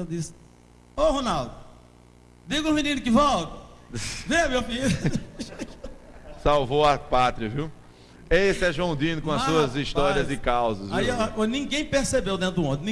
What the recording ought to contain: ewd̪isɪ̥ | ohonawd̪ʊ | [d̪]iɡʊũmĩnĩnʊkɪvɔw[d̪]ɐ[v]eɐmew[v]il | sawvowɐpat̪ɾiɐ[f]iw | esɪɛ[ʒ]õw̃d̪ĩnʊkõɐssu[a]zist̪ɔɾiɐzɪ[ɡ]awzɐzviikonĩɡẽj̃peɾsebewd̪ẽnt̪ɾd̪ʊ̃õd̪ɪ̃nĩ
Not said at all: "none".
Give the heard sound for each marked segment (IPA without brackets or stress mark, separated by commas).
d̪, t̪, v, f, v, ʒ, ɐ, k